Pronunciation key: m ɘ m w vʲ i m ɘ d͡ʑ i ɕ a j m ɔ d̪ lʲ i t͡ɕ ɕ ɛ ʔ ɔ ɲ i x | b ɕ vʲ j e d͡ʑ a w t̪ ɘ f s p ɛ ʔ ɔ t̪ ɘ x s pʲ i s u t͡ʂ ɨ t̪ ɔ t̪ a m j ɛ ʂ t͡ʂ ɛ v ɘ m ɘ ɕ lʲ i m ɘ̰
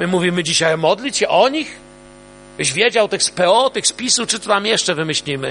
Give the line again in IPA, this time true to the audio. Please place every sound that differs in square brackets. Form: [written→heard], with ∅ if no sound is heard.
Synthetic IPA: m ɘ m [w→u] vʲ i m ɘ d͡ʑ i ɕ a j m ɔ d̪ lʲ i t͡ɕ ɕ ɛ ʔ ɔ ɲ i x | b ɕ vʲ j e d͡ʑ a w t̪ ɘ [f→x] s p ɛ [ʔ→∅] ɔ t̪ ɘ x s pʲ i s u t͡ʂ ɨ t̪ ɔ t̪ a m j ɛ ʂ t͡ʂ ɛ v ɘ m ɘ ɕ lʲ i m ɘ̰